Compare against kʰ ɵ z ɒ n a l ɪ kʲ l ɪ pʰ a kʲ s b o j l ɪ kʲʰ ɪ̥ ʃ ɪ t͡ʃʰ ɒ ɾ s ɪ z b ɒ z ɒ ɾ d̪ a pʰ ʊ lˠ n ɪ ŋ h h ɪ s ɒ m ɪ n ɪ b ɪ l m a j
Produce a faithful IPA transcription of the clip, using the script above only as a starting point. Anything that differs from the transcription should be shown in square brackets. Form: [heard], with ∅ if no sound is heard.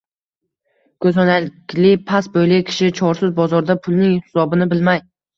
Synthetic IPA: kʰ ɵ z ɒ n a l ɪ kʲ l ɪ pʰ a [∅] s b o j l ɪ kʲʰ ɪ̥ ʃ ɪ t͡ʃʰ ɒ ɾ s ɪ z b ɒ z ɒ ɾ d̪ a pʰ ʊ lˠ n ɪ ŋ h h ɪ s ɒ [b] ɪ n ɪ b ɪ l m a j